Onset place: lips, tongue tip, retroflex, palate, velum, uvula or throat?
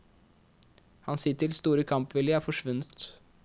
throat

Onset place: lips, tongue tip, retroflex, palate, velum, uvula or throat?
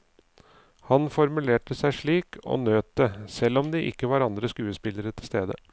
throat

